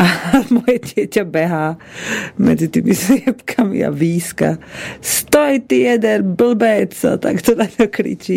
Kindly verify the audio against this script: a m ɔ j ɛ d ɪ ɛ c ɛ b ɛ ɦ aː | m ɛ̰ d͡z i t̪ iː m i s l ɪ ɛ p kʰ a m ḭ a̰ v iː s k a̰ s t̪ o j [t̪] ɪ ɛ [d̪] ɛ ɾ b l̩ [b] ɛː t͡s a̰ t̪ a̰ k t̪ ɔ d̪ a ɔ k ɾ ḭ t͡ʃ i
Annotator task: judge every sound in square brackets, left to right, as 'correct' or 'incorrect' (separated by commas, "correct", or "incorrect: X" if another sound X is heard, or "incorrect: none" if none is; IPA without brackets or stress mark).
correct, correct, correct